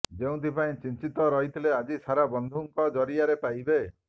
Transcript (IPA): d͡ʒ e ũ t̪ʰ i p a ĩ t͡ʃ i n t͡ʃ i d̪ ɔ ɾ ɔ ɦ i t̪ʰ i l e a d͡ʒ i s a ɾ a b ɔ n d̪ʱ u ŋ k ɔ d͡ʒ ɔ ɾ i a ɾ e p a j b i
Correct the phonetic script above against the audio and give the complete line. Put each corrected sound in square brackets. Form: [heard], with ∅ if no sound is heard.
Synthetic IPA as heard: d͡ʒ e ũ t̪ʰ i p a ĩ t͡ʃ i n t͡ʃ i [t̪] ɔ ɾ ɔ ɦ i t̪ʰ i l e a d͡ʒ i s a ɾ a b ɔ n d̪ʱ u ŋ k ɔ d͡ʒ ɔ ɾ i a ɾ e p a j b [e]